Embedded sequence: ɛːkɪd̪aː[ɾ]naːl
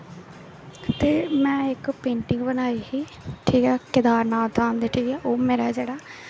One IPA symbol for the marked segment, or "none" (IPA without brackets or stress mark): ɾ